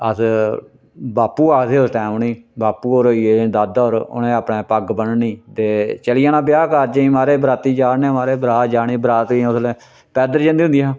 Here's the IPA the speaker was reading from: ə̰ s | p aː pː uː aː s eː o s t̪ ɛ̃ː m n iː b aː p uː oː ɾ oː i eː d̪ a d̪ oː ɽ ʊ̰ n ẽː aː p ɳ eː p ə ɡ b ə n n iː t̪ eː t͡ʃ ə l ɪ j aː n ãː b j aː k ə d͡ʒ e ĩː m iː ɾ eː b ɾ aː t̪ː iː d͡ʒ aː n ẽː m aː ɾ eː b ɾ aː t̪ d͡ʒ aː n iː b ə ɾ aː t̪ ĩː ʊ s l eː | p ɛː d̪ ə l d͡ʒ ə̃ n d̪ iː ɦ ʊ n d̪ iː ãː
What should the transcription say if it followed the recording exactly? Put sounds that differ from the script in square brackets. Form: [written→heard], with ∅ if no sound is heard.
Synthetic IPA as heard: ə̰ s | [p→b] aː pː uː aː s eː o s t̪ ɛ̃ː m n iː b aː p uː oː ɾ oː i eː d̪ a d̪ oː [ɽ→ɾ] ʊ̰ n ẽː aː p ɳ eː p ə ɡ b ə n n iː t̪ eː t͡ʃ ə l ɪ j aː n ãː b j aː k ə d͡ʒ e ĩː m [iː→aː] ɾ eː b ɾ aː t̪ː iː d͡ʒ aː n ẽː m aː ɾ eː b ɾ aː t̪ d͡ʒ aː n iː b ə ɾ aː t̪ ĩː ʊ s l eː | p ɛː d̪ ə [l→ɾ] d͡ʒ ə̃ n d̪ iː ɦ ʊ n d̪ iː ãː

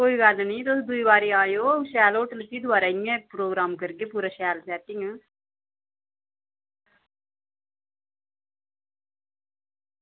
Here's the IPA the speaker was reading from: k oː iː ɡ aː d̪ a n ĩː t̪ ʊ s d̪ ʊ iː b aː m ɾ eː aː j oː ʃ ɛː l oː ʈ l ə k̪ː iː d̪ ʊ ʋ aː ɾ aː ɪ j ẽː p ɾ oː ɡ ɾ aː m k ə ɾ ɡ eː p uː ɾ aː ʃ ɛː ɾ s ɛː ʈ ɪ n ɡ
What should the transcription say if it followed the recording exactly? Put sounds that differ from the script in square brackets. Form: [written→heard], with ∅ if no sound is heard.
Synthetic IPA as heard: k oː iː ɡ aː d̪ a n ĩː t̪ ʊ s d̪ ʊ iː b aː [m→∅] ɾ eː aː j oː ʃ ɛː l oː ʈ l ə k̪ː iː d̪ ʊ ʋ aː ɾ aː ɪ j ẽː p ɾ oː ɡ ɾ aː m k ə ɾ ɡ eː p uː ɾ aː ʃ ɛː [ɾ→l] s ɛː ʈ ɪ [n→ŋ] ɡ

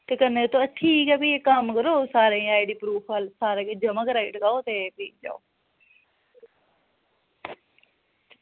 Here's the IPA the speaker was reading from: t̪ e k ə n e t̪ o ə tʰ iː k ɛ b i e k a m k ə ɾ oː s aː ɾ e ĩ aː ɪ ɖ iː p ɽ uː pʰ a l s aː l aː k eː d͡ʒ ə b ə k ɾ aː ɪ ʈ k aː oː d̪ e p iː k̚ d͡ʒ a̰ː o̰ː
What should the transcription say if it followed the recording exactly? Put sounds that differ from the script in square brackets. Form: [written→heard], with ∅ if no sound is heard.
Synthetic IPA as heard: t̪ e k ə n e t̪ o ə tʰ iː k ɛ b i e k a m k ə ɾ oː s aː ɾ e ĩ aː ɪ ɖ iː p [ɽ→ɾ] uː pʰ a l s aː [l→ɾ] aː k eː d͡ʒ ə [b→m] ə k ɾ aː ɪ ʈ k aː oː [d̪→t̪] e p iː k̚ d͡ʒ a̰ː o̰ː

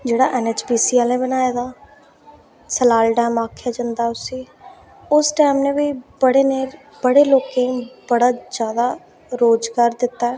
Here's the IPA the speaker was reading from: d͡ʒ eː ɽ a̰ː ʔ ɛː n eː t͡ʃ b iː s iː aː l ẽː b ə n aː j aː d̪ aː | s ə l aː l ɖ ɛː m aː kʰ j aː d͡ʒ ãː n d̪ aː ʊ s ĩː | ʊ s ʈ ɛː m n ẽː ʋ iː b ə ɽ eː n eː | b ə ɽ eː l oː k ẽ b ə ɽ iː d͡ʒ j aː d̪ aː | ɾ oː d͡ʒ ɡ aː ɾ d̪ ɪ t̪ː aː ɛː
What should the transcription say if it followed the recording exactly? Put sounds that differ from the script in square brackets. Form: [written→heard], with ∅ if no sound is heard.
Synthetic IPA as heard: d͡ʒ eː ɽ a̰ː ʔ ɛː n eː t͡ʃ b iː s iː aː l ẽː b ə n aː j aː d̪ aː | s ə l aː l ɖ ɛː m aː kʰ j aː d͡ʒ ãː n d̪ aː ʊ s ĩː | ʊ s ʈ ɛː m n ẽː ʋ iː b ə ɽ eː n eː | b ə ɽ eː l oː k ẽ b ə ɽ [iː→aː] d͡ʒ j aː d̪ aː | ɾ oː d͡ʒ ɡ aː ɾ d̪ ɪ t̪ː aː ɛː

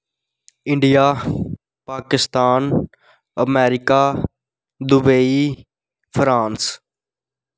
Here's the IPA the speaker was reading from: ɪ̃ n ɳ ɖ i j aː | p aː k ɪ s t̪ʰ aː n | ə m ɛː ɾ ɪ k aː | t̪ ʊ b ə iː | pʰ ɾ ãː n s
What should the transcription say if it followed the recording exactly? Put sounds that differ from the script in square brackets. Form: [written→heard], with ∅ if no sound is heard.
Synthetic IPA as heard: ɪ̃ [n→∅] ɳ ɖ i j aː | p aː k ɪ s [t̪ʰ→t̪] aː n | ə m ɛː ɾ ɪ k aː | [t̪→d̪] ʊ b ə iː | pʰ ɾ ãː n s

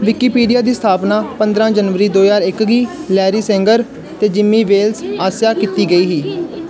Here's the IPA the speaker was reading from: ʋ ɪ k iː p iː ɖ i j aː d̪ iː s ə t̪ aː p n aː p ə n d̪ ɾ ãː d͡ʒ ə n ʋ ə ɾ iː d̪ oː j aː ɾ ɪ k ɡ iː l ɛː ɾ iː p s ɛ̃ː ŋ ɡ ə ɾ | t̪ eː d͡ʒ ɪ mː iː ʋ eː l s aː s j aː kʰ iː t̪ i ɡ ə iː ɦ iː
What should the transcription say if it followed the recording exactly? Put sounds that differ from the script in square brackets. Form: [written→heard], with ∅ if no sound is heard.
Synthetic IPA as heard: ʋ ɪ k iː p iː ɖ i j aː d̪ iː s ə [t̪→t̪ʰ] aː p n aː p ə n d̪ ɾ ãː d͡ʒ ə n ʋ ə ɾ iː d̪ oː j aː ɾ ɪ k ɡ iː l ɛː ɾ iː [p→∅] s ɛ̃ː ŋ ɡ ə ɾ | t̪ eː d͡ʒ ɪ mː iː ʋ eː l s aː s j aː [kʰ→k] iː t̪ [i→iː] ɡ ə iː ɦ iː

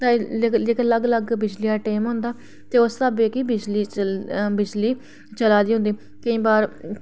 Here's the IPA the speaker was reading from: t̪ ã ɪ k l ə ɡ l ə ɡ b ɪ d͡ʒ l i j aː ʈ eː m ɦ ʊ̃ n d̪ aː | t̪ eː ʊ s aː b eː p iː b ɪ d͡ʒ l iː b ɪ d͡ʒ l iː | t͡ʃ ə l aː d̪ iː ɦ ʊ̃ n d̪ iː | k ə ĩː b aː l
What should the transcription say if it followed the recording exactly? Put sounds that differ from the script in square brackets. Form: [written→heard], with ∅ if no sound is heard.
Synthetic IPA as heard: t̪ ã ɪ k l ə ɡ l ə ɡ b ɪ d͡ʒ l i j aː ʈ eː m ɦ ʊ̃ n d̪ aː | t̪ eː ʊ s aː b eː [p→k] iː b ɪ d͡ʒ l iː b ɪ d͡ʒ l iː | t͡ʃ ə l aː d̪ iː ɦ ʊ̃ n d̪ iː | k ə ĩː b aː [l→ɾ]

